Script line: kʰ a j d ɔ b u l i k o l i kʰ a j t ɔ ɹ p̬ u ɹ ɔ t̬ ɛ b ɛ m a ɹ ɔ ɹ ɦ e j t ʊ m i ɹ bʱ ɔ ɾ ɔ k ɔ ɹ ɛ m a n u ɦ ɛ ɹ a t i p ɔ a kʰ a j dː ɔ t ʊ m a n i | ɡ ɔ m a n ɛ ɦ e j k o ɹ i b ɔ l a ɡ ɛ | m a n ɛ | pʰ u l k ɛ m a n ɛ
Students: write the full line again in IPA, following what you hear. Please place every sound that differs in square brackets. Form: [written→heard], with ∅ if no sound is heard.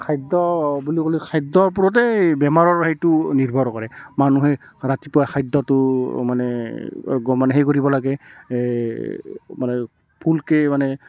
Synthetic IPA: kʰ a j d ɔ b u l i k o l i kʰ a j [t→d] ɔ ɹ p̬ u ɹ ɔ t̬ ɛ b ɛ m a ɹ ɔ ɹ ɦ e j t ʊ [m→n] i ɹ bʱ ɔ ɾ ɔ k ɔ ɹ ɛ m a n u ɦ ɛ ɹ a t i p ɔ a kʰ a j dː ɔ t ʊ m a n [i→ɛ] | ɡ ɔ m a n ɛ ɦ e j k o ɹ i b ɔ l a ɡ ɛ | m a n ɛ | pʰ u l k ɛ m a n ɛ